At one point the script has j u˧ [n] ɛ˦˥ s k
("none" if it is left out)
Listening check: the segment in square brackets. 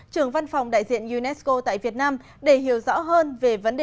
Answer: n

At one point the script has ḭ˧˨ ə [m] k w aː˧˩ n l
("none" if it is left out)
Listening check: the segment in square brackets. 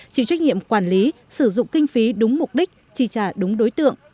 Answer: m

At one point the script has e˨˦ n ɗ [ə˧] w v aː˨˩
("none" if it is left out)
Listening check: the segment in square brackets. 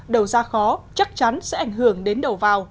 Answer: ə˨˩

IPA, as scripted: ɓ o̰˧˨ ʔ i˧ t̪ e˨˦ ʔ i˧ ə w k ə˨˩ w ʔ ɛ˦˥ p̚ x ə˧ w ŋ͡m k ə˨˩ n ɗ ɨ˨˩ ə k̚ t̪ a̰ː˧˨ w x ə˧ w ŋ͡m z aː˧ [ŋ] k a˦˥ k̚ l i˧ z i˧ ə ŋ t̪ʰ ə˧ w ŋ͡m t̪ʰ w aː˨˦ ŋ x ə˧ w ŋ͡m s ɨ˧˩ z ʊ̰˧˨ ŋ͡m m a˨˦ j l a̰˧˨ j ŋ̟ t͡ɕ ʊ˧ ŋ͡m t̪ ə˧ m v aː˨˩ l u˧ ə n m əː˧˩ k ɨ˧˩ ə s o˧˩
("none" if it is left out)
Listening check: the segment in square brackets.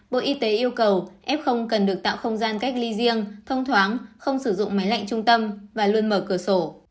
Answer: n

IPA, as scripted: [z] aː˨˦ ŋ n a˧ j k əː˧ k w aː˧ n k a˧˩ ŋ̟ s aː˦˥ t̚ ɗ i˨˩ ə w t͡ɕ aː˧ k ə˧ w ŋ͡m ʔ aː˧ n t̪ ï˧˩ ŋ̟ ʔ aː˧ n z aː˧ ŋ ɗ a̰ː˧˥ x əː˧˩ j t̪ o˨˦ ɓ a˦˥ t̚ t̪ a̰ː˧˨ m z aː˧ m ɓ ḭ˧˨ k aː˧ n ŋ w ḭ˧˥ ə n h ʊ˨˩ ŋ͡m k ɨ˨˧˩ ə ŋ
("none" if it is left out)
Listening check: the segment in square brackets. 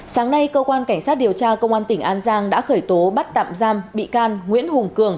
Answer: s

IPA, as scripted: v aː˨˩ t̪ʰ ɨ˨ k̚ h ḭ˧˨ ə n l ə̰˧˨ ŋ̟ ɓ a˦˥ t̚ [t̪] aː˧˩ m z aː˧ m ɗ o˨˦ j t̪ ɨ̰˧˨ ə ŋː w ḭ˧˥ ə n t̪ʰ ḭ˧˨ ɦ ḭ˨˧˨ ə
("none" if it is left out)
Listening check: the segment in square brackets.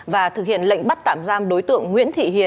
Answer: t̪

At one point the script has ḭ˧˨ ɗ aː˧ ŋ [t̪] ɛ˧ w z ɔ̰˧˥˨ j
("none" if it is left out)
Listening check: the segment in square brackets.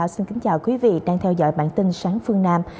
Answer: t̪ʰ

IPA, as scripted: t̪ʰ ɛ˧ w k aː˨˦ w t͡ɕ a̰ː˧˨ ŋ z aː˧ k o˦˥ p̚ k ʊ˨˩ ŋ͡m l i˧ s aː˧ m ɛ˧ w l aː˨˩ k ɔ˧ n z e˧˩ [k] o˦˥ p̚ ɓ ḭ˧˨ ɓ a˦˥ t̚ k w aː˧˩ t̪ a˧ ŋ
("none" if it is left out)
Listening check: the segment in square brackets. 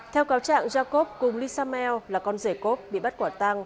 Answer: k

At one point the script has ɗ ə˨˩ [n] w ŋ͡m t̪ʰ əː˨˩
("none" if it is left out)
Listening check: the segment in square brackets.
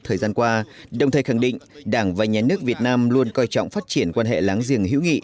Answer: none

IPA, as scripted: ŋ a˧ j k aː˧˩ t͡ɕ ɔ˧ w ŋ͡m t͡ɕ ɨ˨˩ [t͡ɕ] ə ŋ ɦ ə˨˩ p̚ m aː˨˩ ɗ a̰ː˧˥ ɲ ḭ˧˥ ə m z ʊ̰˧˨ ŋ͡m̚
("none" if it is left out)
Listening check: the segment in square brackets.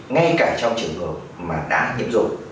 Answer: none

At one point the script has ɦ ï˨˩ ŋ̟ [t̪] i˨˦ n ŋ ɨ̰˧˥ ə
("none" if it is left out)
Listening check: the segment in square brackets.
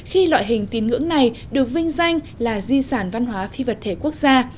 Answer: t̪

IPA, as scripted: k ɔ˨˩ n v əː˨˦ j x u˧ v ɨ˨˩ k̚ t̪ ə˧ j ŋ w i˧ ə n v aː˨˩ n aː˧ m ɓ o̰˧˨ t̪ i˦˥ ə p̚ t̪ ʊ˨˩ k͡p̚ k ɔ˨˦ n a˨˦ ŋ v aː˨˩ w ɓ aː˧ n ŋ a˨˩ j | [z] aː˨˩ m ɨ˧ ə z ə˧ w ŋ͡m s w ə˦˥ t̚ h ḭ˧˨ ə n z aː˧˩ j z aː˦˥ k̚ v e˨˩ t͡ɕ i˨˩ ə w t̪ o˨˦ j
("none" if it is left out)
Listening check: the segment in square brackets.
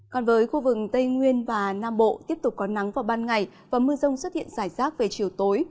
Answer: v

